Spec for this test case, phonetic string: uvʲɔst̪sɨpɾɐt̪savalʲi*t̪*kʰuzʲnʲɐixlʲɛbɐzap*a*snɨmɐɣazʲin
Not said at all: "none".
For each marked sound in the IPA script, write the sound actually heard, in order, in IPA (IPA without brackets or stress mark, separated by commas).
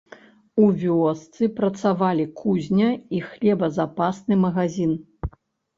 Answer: none, a